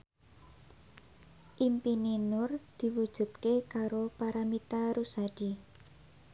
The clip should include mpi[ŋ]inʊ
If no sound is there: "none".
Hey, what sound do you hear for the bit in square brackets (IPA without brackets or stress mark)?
n